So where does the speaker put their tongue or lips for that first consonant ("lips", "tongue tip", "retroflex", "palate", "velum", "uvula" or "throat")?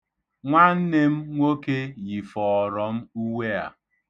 velum